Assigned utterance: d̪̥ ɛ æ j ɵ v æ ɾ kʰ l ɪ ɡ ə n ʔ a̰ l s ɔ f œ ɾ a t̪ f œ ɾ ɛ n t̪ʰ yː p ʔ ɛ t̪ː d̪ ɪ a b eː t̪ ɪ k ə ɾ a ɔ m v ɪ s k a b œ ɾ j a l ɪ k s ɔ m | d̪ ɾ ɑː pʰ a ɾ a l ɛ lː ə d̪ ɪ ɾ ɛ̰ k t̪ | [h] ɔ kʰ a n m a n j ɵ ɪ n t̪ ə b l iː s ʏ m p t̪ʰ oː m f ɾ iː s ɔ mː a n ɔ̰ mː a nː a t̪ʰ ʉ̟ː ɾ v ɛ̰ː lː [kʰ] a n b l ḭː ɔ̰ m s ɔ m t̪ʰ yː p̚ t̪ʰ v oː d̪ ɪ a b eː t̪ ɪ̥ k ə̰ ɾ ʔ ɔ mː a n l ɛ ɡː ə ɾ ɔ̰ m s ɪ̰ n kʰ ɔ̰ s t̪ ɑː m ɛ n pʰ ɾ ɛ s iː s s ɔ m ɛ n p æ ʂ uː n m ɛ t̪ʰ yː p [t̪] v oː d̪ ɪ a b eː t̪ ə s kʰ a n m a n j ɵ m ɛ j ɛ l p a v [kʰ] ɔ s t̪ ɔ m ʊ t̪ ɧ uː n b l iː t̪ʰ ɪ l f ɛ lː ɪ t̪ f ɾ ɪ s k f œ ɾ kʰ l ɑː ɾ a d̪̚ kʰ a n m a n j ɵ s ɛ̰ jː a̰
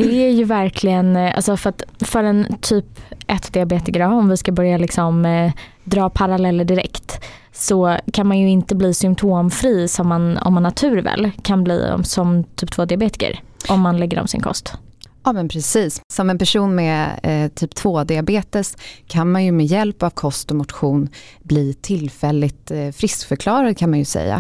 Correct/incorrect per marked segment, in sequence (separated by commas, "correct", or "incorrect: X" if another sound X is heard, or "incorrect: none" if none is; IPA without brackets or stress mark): incorrect: s, correct, incorrect: t̪ʰ, correct